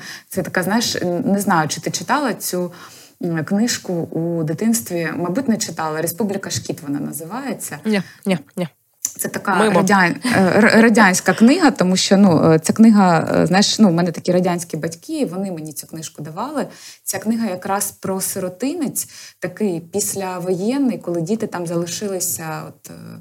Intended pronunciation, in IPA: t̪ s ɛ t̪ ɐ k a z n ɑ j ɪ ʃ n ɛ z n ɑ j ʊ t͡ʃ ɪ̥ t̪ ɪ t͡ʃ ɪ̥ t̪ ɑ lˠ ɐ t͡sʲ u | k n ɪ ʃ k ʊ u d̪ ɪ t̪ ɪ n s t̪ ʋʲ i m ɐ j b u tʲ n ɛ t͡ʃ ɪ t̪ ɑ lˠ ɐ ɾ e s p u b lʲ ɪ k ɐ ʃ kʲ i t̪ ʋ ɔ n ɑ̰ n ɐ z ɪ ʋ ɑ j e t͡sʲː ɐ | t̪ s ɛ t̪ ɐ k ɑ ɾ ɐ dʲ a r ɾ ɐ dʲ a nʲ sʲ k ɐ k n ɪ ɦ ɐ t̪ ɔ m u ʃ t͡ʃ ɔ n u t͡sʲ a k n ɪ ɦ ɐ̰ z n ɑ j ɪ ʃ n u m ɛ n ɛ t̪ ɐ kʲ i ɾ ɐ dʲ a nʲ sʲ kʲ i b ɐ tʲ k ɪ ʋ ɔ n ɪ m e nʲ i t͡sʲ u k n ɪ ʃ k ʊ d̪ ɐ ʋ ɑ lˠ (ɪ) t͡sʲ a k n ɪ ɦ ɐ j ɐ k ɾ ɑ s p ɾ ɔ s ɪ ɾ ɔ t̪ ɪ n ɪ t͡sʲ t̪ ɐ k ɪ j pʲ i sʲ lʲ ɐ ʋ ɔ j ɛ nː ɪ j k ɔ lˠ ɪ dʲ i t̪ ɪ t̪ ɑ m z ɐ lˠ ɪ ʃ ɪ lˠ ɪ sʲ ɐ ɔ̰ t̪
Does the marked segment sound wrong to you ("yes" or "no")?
no